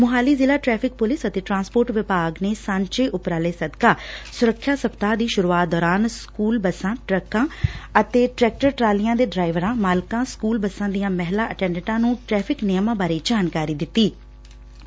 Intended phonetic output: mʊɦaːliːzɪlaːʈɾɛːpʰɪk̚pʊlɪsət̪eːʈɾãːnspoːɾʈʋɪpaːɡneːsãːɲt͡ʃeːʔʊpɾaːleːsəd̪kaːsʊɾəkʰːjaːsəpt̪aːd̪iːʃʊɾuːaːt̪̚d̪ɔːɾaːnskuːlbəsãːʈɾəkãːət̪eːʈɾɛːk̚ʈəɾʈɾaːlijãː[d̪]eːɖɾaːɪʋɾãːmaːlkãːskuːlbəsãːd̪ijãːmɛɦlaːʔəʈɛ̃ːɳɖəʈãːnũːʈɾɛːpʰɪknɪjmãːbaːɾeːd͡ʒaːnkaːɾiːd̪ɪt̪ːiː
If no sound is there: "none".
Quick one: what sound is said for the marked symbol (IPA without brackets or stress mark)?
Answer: d̪